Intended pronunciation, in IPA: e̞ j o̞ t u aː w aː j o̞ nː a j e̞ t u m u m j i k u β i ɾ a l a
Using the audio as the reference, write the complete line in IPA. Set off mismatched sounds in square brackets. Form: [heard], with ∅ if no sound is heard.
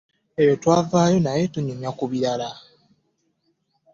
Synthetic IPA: e̞ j o̞ t [w] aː [v] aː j o̞ [n] a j e̞ t u [ɲ] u m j [a] k u β i ɾ a l a